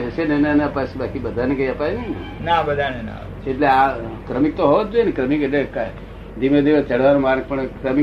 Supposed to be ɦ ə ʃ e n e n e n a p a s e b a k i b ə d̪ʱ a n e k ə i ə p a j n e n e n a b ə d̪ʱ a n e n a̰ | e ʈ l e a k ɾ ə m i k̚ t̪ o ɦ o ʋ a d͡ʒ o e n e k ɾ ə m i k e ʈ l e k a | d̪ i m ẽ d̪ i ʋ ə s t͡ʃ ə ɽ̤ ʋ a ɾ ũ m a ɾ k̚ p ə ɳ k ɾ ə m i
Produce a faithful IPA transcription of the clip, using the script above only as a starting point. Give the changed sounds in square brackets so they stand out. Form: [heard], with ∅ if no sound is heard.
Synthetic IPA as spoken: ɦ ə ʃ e n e n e n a p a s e b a k i b ə d̪ʱ a n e k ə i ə p a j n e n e n a b ə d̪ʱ a n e n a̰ | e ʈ l e a k ɾ ə m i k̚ t̪ o ɦ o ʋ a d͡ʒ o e n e k ɾ ə m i k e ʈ l e k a | d̪ i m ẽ d̪ i ʋ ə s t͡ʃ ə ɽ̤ ʋ a ɾ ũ m a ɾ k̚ p ə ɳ k ɾ ə m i